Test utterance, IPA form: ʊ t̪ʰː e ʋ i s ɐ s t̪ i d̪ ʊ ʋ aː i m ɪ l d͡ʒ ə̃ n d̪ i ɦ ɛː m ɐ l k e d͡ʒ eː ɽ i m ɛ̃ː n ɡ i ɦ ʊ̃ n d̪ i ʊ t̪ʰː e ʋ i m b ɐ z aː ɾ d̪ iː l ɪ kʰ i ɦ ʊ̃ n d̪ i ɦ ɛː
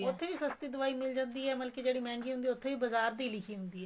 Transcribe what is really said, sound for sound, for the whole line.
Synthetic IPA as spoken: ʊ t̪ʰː e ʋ i s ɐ s t̪ i d̪ ʊ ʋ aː i m ɪ l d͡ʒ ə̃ n d̪ i ɦ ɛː m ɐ l k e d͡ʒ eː ɽ i m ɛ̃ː ŋ ɡ i ɦ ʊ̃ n d̪ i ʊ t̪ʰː e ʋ i b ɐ z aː ɾ d̪ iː l ɪ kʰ i ɦ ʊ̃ n d̪ i ɦ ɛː